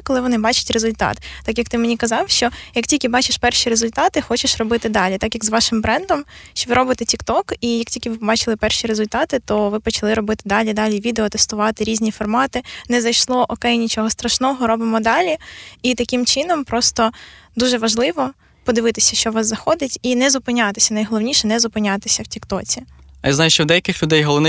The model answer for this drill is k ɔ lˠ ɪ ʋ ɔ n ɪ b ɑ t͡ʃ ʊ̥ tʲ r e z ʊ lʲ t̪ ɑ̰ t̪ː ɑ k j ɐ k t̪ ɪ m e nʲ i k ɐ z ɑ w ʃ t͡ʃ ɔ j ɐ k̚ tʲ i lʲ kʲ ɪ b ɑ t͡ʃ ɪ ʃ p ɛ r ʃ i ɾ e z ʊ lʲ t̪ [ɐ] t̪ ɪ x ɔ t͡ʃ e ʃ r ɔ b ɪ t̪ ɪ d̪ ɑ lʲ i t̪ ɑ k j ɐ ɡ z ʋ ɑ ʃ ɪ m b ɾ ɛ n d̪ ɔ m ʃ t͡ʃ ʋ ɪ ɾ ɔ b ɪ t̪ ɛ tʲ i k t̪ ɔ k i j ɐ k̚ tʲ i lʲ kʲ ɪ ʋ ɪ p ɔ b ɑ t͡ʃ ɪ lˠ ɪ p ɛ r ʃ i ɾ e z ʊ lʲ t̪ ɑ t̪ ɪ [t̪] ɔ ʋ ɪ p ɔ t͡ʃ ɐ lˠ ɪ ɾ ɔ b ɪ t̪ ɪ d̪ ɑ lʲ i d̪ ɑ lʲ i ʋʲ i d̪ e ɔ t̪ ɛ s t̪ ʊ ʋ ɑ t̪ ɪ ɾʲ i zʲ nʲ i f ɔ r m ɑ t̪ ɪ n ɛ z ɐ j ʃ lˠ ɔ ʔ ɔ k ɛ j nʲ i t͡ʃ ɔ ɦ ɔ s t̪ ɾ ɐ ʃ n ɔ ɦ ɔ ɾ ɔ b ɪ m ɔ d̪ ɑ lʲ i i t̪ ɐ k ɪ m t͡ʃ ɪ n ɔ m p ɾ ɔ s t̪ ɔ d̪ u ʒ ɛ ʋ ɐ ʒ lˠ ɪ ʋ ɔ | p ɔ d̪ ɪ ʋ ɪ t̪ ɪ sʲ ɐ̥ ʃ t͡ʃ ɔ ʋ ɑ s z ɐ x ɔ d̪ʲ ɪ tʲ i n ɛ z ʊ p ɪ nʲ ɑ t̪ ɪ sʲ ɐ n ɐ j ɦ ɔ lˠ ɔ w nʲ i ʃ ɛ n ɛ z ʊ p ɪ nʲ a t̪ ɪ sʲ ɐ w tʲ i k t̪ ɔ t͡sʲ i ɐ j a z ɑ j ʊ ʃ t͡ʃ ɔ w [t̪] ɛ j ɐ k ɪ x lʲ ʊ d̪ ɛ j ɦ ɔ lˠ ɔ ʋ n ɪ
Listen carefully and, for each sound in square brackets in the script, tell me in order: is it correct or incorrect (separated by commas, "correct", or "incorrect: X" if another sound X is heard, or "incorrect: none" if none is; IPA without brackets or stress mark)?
incorrect: ɑ, correct, incorrect: d̪